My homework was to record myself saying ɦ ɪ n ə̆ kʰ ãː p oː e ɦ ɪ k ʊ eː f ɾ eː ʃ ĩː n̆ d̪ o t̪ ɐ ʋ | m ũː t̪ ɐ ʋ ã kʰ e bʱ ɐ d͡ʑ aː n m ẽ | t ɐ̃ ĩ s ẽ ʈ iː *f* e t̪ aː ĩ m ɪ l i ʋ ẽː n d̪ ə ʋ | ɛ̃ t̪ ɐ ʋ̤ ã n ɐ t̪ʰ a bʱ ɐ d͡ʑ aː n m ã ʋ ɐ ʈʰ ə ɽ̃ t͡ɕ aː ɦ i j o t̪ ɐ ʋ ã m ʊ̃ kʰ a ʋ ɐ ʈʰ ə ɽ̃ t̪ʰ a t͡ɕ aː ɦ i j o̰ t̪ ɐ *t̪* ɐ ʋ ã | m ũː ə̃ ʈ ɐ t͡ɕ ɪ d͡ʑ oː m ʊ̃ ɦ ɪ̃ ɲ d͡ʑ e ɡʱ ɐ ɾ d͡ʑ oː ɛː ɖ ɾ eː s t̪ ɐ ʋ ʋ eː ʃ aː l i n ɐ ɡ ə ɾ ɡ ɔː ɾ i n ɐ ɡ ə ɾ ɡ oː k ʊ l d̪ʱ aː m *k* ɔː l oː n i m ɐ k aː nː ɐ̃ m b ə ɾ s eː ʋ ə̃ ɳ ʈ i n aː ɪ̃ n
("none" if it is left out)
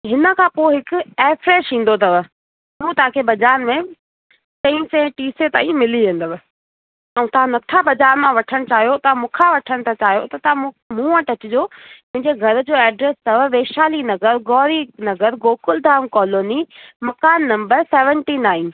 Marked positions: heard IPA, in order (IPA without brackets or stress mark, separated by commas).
s, t̪, k